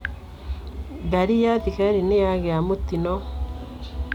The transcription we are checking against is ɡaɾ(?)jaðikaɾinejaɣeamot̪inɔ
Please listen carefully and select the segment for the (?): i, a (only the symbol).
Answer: i